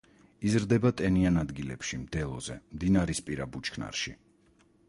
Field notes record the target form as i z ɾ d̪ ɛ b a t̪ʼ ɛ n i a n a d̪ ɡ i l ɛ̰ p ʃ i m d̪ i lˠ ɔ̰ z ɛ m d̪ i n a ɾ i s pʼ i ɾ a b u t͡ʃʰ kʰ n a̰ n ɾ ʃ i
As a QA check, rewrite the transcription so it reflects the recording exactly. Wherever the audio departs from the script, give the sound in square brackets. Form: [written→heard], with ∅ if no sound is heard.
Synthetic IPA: i z ɾ d̪ ɛ b a t̪ʼ ɛ n i a n a d̪ ɡ i l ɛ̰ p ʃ i m d̪ [i→ɛ] lˠ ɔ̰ z ɛ m d̪ i n a ɾ i s pʼ i ɾ a b u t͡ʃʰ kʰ n a̰ [n→∅] ɾ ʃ i